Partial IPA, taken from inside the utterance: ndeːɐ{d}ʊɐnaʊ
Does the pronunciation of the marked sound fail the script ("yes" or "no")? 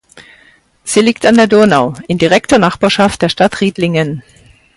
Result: no